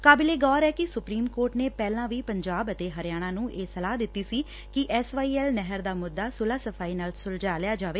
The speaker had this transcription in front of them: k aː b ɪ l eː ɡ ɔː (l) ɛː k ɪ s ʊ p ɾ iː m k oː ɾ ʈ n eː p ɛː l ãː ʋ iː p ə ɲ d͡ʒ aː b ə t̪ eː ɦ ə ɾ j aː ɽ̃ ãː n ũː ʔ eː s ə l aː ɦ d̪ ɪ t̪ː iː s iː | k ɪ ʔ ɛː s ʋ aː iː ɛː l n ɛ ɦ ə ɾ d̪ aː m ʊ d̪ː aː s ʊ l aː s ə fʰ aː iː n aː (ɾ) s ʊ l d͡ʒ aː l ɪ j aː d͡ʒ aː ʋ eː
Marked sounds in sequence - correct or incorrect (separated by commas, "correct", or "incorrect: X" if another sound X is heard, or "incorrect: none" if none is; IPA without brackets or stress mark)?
incorrect: ɾ, incorrect: l